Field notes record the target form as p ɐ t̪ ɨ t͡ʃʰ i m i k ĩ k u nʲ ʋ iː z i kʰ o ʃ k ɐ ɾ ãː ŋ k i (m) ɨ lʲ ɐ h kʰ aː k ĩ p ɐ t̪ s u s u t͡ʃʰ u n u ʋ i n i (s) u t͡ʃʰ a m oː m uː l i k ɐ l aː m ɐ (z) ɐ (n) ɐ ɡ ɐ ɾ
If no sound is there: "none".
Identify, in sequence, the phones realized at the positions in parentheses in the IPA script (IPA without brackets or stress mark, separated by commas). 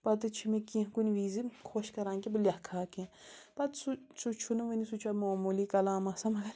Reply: b, s, s, m